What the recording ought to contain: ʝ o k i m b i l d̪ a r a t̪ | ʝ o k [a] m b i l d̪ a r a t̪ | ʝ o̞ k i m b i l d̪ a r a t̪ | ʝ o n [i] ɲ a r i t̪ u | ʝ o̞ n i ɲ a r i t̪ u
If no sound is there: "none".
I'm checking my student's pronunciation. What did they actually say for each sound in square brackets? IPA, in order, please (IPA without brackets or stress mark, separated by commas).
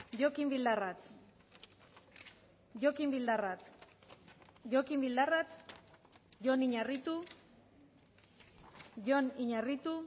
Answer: i, i